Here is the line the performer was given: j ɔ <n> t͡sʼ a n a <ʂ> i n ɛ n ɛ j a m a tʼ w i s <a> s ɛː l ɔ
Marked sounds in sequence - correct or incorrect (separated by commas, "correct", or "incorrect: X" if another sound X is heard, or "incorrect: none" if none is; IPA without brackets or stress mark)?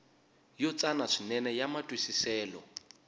incorrect: none, correct, incorrect: i